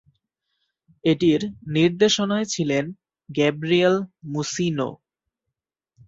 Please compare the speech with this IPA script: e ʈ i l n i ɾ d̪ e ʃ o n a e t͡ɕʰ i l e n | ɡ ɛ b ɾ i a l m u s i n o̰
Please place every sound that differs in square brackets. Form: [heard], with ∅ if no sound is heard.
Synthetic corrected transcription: e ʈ i [ɾ] n i ɾ d̪ e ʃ o n a e t͡ɕʰ i l e n | ɡ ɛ b ɾ i [e] l m u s i n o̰